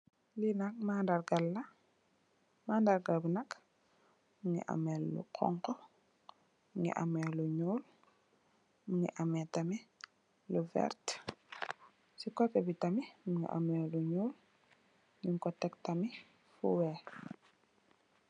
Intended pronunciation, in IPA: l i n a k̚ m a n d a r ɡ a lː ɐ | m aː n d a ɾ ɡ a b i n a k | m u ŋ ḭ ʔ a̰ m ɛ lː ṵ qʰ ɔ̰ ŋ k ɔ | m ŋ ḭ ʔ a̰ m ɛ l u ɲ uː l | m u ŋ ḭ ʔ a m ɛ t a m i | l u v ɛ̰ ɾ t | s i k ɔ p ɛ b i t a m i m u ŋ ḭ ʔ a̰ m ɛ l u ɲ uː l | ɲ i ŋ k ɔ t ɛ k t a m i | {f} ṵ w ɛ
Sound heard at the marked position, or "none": f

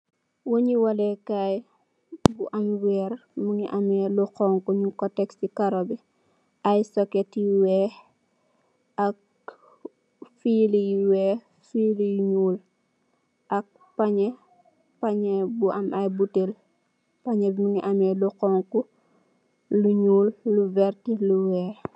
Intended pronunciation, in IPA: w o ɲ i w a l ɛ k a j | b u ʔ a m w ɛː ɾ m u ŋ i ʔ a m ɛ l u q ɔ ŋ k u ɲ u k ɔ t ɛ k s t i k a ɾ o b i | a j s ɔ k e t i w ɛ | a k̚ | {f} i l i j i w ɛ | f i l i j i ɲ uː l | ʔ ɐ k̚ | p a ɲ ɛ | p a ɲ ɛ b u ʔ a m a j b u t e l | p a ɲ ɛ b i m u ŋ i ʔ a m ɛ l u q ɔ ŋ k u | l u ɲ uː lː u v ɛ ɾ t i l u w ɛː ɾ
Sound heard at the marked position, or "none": f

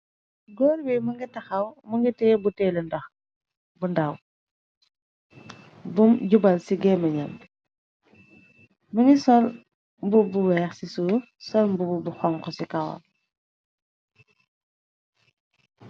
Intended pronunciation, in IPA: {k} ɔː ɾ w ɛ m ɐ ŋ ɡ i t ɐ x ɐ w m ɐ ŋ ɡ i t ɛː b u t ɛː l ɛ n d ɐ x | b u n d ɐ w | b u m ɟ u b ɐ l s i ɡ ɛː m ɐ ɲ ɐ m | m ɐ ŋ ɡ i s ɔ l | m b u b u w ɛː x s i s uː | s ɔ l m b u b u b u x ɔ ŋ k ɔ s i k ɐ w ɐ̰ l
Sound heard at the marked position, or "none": ɡ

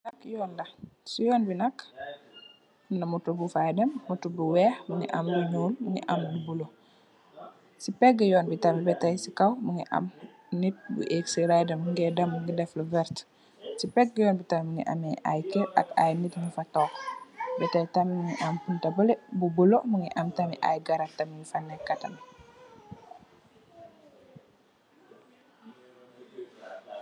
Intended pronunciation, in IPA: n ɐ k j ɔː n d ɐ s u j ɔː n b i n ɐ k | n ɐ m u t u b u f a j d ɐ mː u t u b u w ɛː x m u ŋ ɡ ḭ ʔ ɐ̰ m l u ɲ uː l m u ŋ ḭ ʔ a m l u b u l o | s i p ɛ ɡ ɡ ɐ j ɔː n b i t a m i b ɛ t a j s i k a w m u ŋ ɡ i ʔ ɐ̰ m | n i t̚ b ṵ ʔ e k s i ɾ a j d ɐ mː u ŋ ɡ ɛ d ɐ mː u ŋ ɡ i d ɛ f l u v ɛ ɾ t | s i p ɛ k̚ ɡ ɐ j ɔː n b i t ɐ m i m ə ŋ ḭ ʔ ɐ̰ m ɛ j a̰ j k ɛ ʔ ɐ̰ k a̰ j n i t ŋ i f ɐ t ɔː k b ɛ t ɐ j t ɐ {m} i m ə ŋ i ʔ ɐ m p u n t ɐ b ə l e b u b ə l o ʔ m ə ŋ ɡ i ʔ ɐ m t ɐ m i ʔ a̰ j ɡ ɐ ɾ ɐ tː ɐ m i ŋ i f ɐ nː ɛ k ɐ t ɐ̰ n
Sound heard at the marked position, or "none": m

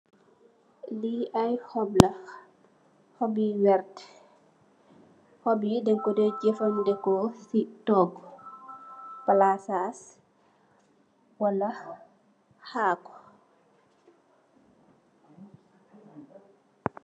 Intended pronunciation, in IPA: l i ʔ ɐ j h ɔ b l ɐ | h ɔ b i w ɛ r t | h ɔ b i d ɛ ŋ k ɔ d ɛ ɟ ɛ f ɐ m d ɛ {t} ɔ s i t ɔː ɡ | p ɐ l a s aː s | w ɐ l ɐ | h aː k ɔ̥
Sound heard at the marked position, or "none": k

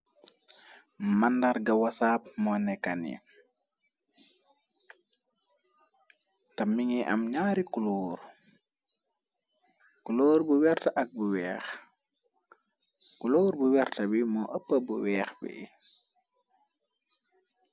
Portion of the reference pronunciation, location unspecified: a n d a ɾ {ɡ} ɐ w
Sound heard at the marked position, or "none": ɡ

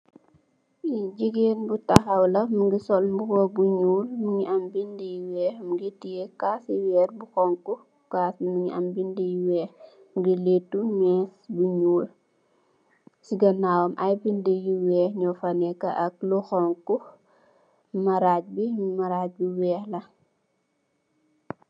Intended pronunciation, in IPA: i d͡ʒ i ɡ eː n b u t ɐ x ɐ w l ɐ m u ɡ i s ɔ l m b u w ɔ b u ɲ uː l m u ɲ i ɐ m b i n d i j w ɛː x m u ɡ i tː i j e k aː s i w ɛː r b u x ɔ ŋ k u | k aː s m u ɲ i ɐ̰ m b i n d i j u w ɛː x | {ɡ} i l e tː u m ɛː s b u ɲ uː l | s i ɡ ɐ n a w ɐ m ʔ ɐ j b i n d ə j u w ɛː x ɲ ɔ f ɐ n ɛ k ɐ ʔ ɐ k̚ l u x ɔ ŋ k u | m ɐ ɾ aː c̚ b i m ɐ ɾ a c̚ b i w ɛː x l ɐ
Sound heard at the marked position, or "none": ɡ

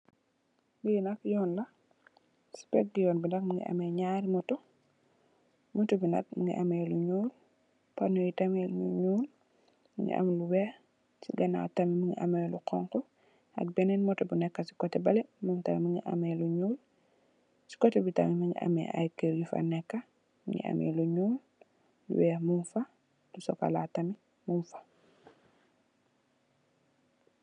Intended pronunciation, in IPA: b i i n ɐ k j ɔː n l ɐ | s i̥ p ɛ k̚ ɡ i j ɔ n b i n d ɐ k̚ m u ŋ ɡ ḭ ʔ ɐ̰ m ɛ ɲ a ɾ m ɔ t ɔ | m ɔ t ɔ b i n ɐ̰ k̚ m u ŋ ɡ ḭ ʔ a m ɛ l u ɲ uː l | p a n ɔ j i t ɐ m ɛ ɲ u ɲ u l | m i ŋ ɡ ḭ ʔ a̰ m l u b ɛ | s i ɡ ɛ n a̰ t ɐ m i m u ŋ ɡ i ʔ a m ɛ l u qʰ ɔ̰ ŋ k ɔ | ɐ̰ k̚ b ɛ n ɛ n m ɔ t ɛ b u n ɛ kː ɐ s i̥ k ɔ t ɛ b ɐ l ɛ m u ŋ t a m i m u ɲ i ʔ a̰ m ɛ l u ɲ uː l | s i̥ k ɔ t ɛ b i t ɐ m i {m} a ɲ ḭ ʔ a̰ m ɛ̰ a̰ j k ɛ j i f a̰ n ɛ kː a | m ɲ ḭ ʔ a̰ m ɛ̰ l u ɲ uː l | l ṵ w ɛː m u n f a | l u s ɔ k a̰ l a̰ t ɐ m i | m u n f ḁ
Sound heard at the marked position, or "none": m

